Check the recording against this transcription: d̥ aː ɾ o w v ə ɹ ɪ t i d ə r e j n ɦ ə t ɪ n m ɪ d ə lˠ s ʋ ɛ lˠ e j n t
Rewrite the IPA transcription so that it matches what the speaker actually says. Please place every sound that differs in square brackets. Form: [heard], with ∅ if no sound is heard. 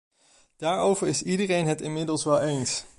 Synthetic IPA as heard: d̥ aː [ɹ] o w v ə ɹ ɪ [s] i d ə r e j n ɦ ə t ɪ n m ɪ d ə lˠ s ʋ ɛ lˠ e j n [s]